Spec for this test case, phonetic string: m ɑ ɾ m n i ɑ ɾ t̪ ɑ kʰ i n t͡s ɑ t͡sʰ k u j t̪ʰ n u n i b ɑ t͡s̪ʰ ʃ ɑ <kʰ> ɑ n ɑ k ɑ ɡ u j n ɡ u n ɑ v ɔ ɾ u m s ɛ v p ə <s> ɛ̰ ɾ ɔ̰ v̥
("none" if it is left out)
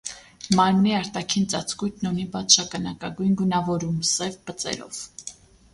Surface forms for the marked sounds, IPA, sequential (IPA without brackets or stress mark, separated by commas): k, t͡s